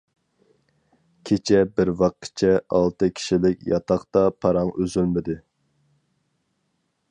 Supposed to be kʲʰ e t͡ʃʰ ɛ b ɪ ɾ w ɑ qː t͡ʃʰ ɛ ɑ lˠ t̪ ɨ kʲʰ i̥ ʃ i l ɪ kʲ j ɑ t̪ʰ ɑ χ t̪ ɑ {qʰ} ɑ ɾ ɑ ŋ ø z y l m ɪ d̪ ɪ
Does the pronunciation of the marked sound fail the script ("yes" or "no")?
yes